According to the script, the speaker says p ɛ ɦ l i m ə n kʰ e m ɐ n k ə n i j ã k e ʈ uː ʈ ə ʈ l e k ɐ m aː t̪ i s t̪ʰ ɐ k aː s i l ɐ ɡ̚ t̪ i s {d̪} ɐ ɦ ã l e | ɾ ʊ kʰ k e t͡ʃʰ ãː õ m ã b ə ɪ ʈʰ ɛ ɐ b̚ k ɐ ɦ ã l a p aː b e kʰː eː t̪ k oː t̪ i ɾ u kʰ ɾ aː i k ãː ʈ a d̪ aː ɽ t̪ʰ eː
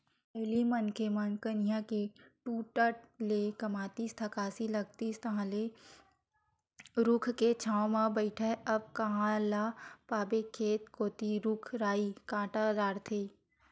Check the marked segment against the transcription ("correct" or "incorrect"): incorrect